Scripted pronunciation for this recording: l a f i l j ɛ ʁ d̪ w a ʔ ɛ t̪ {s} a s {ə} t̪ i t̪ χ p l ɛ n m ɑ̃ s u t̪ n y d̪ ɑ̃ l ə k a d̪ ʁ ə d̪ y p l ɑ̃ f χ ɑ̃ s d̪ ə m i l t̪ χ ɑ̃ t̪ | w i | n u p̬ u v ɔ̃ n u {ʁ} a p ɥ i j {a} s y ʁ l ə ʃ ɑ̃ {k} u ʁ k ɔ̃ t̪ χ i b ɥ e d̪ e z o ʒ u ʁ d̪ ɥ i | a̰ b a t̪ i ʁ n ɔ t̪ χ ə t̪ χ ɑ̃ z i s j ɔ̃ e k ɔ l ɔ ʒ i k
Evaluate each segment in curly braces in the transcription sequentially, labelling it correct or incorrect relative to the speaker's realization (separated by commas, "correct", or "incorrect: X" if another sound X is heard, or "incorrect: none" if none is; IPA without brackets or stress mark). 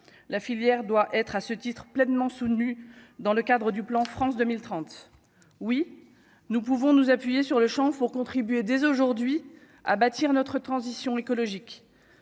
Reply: incorrect: χ, correct, incorrect: z, incorrect: e, incorrect: p